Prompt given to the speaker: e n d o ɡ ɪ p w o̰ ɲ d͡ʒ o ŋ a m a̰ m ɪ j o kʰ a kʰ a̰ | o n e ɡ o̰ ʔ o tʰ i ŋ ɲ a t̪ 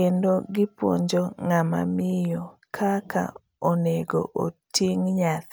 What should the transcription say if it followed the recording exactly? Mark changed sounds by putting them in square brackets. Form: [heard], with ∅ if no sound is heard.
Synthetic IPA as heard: e n d o ɡ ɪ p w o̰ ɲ d͡ʒ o ŋ a m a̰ m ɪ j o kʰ a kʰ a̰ | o n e ɡ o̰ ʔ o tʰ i ŋ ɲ a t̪